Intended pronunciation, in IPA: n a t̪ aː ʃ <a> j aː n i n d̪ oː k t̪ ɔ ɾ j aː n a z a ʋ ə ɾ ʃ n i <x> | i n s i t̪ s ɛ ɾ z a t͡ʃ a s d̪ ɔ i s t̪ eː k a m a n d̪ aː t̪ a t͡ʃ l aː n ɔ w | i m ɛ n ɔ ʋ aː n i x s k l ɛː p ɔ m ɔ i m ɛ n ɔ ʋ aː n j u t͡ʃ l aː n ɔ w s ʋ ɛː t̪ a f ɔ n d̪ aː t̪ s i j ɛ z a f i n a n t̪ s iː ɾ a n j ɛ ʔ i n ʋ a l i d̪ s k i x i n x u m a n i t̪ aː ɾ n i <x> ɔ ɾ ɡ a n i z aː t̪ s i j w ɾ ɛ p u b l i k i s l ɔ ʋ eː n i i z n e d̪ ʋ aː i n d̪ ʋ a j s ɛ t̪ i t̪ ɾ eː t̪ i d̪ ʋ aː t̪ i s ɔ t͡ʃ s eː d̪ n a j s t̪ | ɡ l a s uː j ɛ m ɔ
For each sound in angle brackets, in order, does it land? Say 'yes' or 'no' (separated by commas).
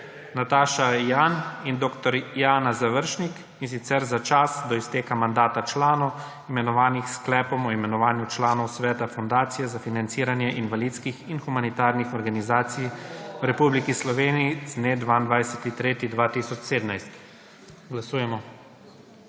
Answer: yes, no, yes